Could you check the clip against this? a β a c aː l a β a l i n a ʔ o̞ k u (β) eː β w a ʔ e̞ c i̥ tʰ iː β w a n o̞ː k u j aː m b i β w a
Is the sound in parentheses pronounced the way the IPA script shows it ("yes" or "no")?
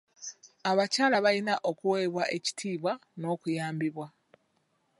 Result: no